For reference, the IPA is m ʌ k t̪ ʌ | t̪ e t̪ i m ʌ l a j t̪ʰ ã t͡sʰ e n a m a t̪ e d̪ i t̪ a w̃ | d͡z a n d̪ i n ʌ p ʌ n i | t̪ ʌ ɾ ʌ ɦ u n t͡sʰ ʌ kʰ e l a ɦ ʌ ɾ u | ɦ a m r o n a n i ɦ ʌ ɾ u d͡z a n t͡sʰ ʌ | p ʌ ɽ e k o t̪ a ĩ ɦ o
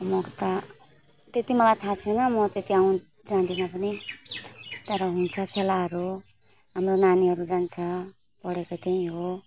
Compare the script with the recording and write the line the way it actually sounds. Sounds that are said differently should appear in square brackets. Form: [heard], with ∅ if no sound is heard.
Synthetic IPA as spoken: m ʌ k t̪ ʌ | t̪ e t̪ i m ʌ l a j t̪ʰ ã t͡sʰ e n [ʌ] m [ʌ] t̪ e [t̪] i [∅] a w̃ | d͡z a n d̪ i n ʌ p ʌ n i | t̪ ʌ ɾ ʌ ɦ u n t͡sʰ ʌ kʰ e l a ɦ ʌ ɾ u | ɦ a m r o n a n i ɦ ʌ ɾ u d͡z a n t͡sʰ ʌ | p ʌ ɽ e k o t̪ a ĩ ɦ o